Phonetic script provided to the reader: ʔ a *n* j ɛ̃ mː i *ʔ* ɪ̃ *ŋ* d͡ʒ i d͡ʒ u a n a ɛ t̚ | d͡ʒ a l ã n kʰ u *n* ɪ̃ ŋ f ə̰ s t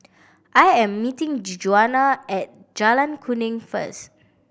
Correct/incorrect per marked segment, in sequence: incorrect: none, incorrect: t, correct, correct

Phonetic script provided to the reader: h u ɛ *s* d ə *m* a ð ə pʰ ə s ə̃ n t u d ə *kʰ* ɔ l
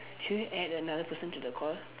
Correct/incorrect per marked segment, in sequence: incorrect: none, incorrect: n, correct

